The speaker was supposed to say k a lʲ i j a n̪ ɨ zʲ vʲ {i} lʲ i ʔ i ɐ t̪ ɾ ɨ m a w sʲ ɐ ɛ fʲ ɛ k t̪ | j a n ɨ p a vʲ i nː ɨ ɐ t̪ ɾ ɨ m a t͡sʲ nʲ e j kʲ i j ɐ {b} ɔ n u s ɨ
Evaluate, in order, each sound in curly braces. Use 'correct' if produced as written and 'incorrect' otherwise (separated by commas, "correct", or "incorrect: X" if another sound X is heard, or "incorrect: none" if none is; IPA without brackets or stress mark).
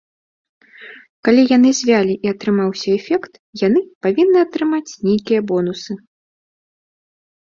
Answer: incorrect: a, correct